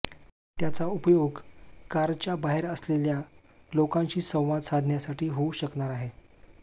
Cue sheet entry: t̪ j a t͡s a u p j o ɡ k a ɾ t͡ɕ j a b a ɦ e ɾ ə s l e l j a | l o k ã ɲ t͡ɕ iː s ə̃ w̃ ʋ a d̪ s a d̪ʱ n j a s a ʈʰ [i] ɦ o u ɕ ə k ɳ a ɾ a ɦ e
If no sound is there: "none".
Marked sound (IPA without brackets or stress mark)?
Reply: iː